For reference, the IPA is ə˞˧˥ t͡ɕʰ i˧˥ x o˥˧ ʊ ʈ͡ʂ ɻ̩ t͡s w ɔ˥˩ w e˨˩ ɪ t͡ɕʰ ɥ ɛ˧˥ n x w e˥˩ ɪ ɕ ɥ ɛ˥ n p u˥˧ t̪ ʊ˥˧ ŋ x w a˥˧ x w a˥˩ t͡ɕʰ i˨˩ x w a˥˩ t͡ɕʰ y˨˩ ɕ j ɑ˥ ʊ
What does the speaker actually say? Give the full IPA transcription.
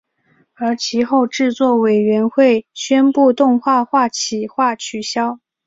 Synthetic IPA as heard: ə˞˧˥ t͡ɕʰ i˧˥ x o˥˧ ʊ ʈ͡ʂ ɻ̩ t͡s w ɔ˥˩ w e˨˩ ɪ ɥ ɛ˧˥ n x w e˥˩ ɪ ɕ ɥ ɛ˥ n p u˥˧ t̪ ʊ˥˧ ŋ x w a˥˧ x w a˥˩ t͡ɕʰ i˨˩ x w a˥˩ t͡ɕʰ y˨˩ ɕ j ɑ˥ ʊ